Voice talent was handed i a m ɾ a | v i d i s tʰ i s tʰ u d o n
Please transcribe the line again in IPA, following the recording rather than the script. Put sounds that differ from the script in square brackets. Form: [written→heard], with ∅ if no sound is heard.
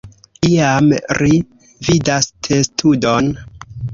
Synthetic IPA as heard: i a m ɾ [a→i] | v i d [i→a] s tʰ [i→e] s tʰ u d o n